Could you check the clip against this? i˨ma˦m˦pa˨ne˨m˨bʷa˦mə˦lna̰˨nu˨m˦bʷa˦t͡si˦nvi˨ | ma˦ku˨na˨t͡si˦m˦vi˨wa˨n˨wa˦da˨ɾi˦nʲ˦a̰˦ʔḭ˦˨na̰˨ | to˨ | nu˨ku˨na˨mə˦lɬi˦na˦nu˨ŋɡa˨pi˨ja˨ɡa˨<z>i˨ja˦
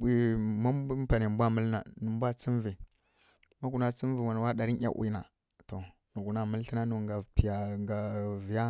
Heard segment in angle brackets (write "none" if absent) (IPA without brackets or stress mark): v